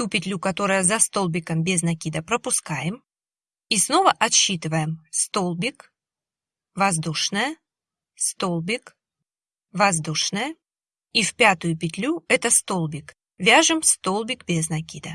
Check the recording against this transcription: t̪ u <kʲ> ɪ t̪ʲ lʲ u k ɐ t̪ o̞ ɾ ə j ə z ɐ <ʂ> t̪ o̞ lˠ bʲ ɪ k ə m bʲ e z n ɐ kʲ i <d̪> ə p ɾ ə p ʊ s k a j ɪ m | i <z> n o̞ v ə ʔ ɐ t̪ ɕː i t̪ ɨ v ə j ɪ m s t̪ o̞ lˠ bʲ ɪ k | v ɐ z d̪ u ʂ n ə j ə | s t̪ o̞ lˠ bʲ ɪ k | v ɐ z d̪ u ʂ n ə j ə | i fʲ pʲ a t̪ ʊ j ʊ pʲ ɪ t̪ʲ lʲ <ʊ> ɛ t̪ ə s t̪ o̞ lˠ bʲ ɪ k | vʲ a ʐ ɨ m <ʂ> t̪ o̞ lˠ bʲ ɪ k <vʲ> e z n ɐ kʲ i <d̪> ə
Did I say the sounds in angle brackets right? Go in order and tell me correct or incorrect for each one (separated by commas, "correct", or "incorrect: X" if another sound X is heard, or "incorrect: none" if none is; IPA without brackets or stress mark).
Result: incorrect: pʲ, incorrect: s, correct, incorrect: s, incorrect: u, incorrect: s, incorrect: bʲ, correct